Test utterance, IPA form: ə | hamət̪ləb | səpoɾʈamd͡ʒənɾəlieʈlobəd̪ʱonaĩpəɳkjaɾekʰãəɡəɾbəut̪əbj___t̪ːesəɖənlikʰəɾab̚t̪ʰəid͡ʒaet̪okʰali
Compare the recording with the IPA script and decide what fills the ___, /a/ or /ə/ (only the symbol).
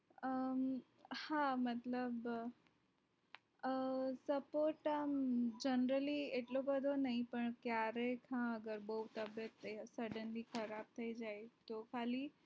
ə